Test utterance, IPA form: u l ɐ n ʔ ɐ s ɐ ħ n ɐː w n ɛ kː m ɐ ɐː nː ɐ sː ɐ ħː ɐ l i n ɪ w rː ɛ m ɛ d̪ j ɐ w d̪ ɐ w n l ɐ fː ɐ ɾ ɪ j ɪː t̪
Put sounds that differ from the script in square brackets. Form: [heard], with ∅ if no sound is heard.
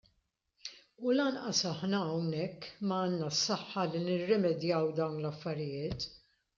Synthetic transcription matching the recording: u l ɐ n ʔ ɐ s ɐ ħ n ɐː w n ɛ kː m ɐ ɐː nː ɐ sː ɐ ħː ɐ l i n ɪ [∅] rː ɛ m ɛ d̪ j ɐ w d̪ ɐ w n l ɐ fː ɐ ɾ ɪ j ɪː t̪